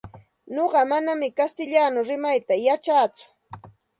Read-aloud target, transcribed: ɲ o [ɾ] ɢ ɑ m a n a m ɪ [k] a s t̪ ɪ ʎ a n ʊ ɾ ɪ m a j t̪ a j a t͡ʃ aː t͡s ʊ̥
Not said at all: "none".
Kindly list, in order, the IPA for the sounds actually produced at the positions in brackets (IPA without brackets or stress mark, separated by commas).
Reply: none, k